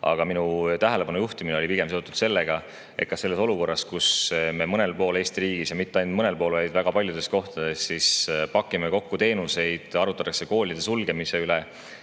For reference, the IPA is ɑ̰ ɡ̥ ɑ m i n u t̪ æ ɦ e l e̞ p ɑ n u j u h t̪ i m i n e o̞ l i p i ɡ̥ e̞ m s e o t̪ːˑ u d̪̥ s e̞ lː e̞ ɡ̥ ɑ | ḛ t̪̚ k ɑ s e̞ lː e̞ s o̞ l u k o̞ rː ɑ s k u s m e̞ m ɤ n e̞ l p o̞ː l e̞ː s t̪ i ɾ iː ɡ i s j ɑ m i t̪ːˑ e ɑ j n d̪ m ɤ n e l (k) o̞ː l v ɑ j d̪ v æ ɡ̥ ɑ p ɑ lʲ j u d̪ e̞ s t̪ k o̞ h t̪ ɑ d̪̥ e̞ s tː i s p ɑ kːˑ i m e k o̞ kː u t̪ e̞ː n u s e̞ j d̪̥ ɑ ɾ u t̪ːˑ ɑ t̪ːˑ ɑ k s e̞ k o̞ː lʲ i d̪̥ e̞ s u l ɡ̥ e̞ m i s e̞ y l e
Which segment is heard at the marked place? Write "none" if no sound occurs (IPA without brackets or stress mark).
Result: p